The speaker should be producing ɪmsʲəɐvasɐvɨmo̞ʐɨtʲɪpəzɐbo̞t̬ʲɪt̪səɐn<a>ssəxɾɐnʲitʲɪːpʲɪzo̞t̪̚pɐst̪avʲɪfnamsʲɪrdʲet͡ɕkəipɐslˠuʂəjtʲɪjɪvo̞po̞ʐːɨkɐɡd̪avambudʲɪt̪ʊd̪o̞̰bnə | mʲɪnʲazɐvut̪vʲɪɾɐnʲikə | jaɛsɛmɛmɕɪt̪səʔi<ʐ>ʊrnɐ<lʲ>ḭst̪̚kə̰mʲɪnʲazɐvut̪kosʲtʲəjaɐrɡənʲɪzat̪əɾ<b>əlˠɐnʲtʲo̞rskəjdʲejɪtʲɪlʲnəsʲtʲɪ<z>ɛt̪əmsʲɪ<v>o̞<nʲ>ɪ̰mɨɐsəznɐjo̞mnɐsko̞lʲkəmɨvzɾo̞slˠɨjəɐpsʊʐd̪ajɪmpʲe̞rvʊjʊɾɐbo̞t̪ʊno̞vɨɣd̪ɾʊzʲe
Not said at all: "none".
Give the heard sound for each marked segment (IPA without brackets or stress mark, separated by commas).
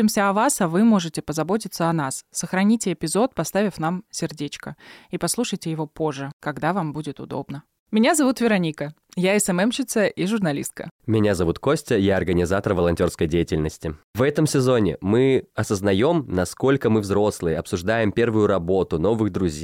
a, ʐ, lʲ, v, v, z, nʲ